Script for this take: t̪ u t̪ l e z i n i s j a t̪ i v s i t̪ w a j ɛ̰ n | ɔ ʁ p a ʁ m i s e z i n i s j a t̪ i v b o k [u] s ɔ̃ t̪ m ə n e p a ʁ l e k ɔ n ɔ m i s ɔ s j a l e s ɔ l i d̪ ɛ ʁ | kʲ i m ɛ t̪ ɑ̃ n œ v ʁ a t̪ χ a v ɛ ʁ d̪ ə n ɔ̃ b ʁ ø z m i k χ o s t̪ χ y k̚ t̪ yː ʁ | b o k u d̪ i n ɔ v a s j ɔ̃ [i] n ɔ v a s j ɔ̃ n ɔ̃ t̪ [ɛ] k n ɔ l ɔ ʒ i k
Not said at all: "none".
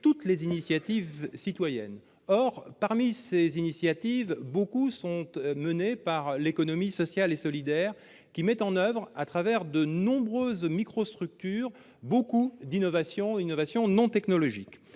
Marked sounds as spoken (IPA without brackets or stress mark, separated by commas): u, i, ɛ